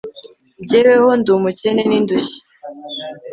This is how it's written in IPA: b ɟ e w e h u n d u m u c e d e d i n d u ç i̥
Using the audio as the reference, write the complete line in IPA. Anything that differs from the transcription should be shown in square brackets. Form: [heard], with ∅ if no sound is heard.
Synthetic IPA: b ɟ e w e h [o] n d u m u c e [n] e [n] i n d u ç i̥

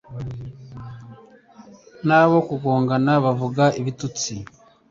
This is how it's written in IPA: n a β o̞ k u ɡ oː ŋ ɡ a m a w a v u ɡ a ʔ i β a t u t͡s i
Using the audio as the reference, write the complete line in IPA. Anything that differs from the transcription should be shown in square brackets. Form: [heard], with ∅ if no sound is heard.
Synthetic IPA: n a β o̞ k u ɡ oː ŋ ɡ a [n] a [β] a v u ɡ a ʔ i β [i] t u t͡s i

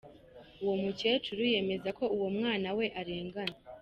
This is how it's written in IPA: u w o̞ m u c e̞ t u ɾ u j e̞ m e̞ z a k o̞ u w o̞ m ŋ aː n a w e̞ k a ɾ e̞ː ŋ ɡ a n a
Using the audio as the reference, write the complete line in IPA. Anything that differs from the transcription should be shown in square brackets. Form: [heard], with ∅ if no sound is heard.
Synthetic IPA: u w o̞ m u c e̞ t u ɾ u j e̞ m e̞ z a k o̞ u w o̞ m ŋ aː n a w e̞ [ʔ] a ɾ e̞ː ŋ ɡ a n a

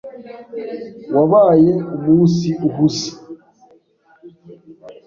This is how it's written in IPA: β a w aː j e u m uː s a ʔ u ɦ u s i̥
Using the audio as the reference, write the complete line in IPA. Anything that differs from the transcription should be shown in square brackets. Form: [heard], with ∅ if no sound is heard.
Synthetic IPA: [w] a [β] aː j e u m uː s [i] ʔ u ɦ u s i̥

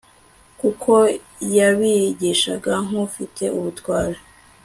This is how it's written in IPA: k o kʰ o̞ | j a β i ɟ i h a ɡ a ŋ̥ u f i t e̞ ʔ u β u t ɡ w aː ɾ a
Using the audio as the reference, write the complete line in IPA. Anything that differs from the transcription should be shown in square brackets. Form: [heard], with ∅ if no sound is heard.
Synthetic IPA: k [u] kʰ o̞ | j a β i ɟ i [ʃ] a ɡ a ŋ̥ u f i t e̞ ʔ u β u t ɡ w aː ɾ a

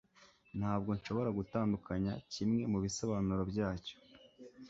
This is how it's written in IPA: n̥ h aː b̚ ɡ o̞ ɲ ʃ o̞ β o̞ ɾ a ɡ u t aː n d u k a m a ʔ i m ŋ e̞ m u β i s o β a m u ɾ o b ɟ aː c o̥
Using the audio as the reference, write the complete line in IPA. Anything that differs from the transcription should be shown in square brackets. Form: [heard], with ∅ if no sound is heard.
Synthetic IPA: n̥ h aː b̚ ɡ o̞ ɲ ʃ o̞ β o̞ ɾ a ɡ u t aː n d u k a [ɲ] a [c] i m ŋ e̞ m u β i s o β a [n] u ɾ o b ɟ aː c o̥

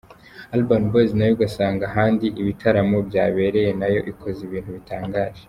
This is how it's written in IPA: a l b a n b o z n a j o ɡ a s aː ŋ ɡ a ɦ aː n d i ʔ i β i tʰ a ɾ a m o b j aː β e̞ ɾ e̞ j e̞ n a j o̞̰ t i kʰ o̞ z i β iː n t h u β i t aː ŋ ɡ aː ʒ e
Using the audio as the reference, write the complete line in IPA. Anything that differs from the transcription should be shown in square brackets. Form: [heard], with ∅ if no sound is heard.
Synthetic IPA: a l b a n b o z n a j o ɡ a s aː ŋ ɡ a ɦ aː n d i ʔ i β i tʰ a ɾ a m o b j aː β e̞ ɾ e̞ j e̞ n a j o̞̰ [ʔ] i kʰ o̞ z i β iː n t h u β i t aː ŋ ɡ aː ʒ e

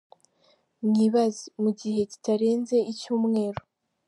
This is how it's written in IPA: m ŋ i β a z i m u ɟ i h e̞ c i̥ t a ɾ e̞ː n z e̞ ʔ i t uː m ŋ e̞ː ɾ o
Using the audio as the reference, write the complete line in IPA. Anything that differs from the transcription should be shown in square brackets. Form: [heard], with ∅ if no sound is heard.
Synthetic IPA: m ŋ i β a z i m u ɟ i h e̞ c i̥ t a ɾ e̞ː n z e̞ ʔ i [c] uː m ŋ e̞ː ɾ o

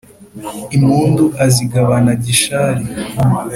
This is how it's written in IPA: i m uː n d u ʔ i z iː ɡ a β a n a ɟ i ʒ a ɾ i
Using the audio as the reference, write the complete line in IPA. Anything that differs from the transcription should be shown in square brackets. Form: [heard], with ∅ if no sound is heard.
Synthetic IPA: i m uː n d u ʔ [a] z [i] ɡ a β a n a ɟ i [ʃ] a ɾ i

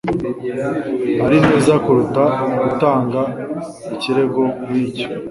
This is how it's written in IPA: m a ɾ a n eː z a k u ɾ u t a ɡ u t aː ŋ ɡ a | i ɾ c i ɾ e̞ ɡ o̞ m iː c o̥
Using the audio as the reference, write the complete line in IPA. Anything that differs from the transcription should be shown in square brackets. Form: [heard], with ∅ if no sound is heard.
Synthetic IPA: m a ɾ [i] n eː z a k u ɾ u t a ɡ u t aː ŋ ɡ a | i [∅] c i ɾ e̞ ɡ o̞ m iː c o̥

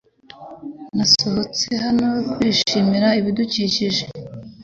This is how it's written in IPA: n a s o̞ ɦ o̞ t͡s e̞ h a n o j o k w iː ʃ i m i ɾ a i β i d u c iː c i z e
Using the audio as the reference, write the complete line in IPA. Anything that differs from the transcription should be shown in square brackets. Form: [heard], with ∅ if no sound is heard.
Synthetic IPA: n a s o̞ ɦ o̞ t͡s e̞ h a n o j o k w iː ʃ i m i ɾ a i β i d u c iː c i [ʒ] e

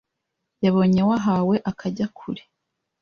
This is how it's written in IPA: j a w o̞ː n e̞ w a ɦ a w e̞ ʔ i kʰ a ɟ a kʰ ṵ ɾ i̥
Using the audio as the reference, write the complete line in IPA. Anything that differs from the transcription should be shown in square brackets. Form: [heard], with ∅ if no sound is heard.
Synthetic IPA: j a [β] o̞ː [ɲ] e̞ w a ɦ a w e̞ ʔ [a] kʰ a ɟ a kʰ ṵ ɾ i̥

